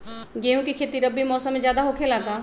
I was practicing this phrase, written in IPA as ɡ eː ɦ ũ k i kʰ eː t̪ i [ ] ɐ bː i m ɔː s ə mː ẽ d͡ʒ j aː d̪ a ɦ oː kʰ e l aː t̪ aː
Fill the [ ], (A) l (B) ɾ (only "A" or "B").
B